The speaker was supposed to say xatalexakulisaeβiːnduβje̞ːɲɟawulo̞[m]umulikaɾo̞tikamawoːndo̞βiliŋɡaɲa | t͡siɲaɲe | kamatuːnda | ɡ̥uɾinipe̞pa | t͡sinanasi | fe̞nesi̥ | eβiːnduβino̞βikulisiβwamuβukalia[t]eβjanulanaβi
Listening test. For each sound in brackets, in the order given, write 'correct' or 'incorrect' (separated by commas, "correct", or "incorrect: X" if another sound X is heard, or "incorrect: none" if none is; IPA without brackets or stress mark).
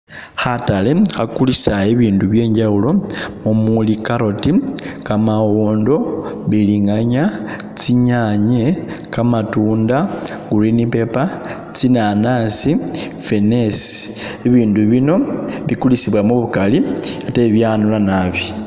correct, correct